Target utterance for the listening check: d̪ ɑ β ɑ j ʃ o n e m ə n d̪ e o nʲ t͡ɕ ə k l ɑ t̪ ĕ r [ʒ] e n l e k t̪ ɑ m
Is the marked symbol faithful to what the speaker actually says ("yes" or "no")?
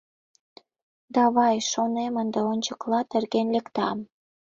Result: no